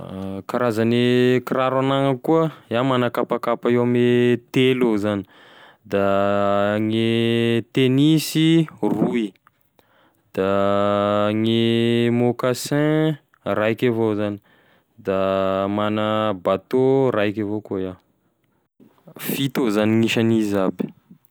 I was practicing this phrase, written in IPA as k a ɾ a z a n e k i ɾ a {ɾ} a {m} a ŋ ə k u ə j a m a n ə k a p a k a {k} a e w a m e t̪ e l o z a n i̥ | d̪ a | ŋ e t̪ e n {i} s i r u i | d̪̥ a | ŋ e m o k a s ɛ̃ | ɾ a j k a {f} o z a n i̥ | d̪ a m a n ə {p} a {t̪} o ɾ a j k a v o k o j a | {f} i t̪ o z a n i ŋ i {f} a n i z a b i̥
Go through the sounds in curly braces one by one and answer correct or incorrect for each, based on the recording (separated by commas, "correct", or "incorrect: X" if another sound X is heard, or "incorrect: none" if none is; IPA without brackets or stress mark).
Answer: correct, incorrect: n, incorrect: p, correct, incorrect: v, incorrect: b, correct, correct, incorrect: ʃ